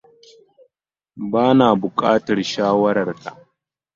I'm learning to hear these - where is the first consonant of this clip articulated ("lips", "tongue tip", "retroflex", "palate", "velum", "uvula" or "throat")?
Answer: lips